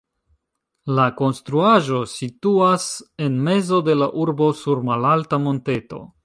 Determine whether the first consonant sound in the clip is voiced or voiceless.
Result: voiced